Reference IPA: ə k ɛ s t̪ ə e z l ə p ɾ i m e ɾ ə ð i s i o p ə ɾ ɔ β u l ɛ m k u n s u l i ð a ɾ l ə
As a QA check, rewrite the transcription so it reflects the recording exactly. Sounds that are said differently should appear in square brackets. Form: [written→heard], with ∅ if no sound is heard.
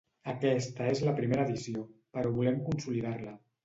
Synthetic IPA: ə k ɛ s t̪ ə e z l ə p ɾ i m e ɾ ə ð i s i o p ə ɾ ɔ β u l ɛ m k u n s u l i ð a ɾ l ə